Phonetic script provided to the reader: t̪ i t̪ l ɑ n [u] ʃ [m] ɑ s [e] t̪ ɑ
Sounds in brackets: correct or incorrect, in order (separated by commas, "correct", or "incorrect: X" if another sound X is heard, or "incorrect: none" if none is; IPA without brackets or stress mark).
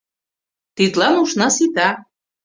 correct, incorrect: n, incorrect: i